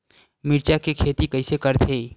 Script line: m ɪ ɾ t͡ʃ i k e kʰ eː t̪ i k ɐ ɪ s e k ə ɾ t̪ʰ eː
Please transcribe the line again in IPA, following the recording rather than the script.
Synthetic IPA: m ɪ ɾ t͡ʃ a k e kʰ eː t̪ i k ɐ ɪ s e k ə ɾ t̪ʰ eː